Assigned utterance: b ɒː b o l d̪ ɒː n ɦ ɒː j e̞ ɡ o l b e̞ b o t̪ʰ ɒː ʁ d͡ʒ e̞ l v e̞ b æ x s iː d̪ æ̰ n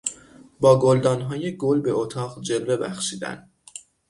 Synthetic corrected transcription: b ɒː ɡ o l d̪ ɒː n ɦ ɒː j e̞ ɡ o l b e̞ o t̪ʰ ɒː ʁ d͡ʒ e̞ l v e̞ b æ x ʃ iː d̪ æ̰ n